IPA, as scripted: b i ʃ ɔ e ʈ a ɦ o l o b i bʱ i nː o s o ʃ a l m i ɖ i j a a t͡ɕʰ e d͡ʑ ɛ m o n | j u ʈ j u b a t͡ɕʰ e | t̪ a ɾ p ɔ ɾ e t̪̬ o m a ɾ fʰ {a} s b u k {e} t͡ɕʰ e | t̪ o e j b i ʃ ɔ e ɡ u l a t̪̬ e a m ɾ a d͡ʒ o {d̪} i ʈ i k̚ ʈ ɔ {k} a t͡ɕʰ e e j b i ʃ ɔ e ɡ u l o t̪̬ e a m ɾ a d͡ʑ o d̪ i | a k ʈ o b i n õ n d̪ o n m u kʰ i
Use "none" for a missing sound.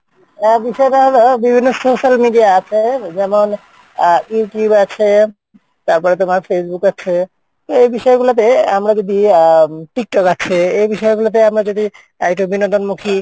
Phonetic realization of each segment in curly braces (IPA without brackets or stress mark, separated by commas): e, a, d̪, k